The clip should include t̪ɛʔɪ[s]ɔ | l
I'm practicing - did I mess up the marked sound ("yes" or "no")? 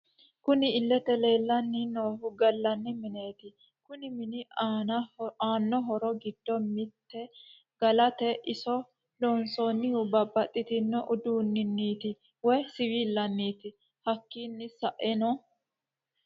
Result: no